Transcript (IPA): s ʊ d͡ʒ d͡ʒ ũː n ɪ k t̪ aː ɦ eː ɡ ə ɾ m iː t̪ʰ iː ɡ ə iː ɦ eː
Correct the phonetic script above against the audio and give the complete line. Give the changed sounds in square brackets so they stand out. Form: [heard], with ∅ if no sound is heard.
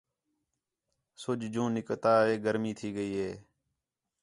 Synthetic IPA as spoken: s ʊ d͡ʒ d͡ʒ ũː n ɪ k t̪ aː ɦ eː ɡ ə ɾ m iː t̪ʰ iː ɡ ə iː ɦ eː